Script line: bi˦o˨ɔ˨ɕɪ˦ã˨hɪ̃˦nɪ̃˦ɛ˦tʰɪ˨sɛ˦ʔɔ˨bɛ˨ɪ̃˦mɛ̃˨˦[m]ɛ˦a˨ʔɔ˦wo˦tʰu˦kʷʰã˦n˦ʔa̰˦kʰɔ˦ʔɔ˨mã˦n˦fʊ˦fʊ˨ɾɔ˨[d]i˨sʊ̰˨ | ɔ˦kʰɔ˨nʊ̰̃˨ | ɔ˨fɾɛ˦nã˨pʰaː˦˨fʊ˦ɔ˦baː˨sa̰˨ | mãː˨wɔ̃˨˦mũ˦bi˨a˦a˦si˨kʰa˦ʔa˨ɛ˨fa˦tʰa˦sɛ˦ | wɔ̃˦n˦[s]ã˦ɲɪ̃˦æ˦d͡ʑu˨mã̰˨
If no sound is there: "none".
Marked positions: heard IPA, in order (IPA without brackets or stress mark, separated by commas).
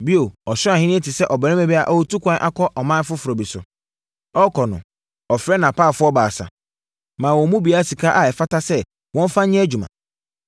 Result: b, b, f